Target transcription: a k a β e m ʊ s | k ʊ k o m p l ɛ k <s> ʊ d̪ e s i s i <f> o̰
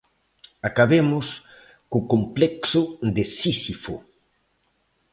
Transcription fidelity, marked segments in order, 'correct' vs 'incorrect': correct, correct

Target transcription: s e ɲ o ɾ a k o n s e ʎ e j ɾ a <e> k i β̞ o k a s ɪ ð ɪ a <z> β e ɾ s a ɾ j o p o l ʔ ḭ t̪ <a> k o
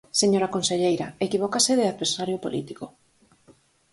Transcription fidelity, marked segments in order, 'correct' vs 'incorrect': correct, incorrect: ð, incorrect: i

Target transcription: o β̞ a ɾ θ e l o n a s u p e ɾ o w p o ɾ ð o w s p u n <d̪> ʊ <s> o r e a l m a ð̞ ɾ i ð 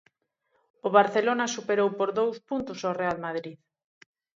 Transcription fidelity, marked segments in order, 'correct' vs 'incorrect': incorrect: t̪, correct

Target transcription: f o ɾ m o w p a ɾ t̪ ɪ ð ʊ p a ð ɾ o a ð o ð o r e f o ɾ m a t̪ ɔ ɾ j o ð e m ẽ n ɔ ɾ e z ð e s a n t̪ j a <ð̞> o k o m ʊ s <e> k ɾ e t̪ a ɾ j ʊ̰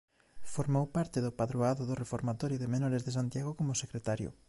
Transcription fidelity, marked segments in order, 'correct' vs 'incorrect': incorrect: ɣ̞, correct

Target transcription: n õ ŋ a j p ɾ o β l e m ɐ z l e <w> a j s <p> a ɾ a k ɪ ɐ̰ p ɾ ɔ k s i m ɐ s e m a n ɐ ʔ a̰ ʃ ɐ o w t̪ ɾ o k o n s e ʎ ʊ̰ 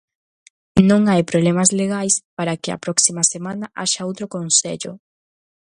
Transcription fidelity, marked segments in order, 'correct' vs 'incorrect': incorrect: ɣ, correct

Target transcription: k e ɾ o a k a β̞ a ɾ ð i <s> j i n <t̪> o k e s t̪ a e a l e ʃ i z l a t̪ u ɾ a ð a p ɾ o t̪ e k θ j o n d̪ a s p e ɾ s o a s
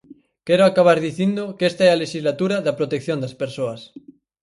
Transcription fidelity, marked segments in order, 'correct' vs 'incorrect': incorrect: θ, incorrect: d̪

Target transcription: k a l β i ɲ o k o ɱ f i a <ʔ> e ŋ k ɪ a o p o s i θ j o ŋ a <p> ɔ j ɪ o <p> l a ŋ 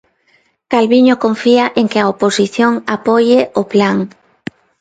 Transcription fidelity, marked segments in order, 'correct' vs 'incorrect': correct, correct, correct

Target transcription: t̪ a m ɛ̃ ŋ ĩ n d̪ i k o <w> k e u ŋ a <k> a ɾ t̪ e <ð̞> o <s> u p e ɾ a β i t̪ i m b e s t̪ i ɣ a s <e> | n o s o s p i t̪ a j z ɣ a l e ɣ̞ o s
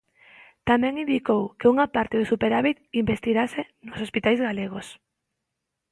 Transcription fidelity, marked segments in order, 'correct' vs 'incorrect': correct, incorrect: p, correct, correct, correct

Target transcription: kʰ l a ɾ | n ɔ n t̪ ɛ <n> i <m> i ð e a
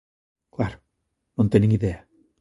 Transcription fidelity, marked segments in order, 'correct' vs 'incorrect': correct, incorrect: ŋ

